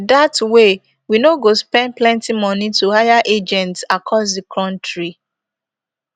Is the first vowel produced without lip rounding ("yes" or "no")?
yes